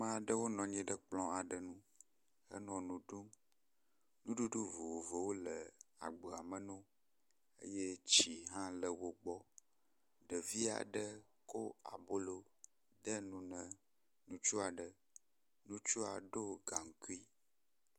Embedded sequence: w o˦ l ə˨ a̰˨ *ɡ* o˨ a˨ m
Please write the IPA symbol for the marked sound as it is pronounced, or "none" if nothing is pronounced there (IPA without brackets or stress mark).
ɡ͡b